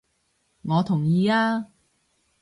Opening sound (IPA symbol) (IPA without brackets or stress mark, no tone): ŋ